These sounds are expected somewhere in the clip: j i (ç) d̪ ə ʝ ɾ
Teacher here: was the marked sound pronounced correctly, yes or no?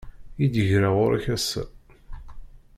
no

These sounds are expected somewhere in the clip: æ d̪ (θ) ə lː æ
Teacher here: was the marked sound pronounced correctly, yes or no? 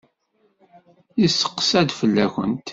no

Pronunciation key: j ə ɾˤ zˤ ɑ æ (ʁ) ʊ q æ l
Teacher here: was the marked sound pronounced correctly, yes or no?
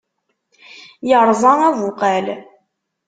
no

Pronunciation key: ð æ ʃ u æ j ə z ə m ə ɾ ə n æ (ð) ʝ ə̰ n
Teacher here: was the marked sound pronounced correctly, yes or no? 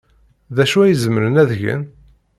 yes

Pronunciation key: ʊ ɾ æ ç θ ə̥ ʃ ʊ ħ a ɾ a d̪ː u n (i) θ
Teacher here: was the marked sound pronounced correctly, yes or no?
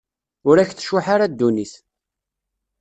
yes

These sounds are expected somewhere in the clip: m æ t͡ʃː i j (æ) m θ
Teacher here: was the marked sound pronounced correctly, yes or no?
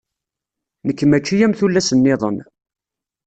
yes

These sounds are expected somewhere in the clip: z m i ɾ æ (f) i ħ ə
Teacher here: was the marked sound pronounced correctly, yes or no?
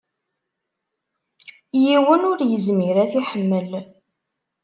no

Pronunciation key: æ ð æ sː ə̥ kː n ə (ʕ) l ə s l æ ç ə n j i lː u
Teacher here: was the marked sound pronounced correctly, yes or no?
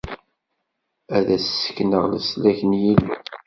no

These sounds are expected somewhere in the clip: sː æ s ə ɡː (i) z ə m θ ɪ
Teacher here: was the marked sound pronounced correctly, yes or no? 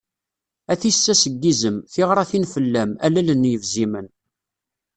yes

